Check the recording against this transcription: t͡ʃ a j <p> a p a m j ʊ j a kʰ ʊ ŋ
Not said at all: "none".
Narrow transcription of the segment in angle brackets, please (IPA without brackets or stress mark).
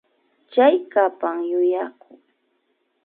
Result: k